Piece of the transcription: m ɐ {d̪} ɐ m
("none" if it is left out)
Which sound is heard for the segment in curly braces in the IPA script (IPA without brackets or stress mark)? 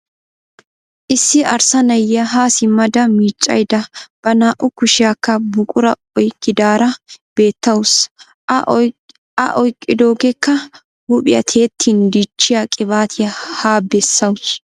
d̪